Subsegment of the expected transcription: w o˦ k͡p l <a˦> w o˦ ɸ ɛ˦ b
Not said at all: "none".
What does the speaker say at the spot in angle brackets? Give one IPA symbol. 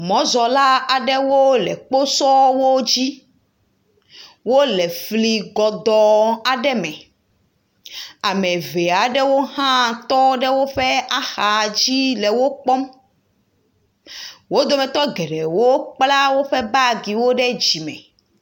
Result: a˦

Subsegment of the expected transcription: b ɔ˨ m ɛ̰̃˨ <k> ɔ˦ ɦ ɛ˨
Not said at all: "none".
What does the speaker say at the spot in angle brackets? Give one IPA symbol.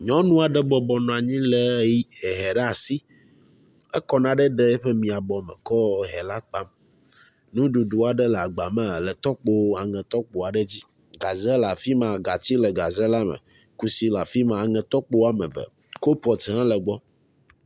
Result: k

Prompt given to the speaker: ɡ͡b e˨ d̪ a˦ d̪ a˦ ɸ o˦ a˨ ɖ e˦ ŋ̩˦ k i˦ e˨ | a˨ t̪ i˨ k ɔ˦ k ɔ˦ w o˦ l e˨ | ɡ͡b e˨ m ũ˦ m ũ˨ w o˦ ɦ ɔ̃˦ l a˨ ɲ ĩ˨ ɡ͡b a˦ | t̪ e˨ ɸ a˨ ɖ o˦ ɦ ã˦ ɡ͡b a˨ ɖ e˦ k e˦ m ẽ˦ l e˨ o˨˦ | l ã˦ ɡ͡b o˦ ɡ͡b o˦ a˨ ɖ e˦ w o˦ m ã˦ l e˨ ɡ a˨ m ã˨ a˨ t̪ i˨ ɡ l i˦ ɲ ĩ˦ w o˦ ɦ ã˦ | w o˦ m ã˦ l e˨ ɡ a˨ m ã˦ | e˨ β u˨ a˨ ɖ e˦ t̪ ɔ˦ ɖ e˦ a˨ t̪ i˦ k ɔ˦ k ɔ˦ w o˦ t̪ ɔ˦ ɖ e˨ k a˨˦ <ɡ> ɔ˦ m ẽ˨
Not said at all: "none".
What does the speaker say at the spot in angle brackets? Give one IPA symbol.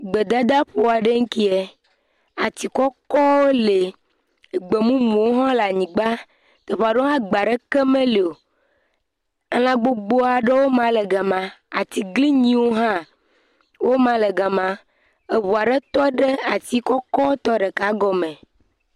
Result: ɡ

